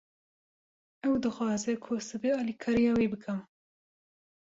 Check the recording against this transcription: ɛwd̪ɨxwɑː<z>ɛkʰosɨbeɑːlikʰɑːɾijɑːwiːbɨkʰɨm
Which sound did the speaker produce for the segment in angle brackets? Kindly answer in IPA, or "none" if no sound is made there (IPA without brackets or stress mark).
z